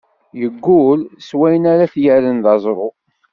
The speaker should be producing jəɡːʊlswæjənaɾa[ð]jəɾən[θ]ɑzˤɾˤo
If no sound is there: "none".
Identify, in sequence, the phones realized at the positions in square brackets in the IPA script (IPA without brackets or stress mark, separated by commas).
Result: θ, ð